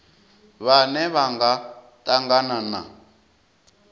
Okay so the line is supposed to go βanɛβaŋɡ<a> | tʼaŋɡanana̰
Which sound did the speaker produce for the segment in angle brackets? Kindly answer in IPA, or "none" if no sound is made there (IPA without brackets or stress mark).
a